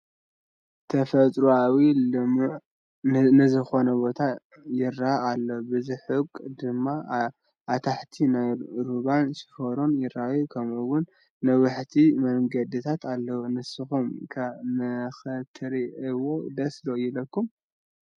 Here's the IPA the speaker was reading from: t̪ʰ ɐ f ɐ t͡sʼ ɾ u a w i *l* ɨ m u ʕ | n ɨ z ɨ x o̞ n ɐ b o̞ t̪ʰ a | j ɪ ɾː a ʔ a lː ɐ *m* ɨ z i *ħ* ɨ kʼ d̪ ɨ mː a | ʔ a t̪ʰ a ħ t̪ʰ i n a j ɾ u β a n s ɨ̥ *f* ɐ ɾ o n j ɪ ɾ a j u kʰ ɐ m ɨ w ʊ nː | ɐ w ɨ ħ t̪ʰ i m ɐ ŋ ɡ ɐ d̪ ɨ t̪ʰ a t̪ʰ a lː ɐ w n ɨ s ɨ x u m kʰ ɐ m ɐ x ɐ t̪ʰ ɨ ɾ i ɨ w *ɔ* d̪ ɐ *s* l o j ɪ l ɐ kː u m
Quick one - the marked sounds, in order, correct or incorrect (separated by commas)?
correct, incorrect, correct, correct, incorrect, correct